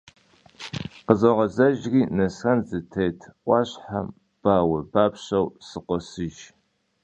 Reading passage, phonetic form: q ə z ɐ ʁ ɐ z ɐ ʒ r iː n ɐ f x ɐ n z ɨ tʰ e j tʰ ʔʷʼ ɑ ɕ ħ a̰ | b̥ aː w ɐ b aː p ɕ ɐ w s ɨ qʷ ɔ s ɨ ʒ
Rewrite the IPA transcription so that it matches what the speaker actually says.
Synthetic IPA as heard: q ə z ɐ ʁ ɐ z ɐ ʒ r iː n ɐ s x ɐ n z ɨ tʰ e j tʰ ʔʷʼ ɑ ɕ ħ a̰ | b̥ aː w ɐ b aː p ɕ ɐ w s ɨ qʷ ɔ s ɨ ʒ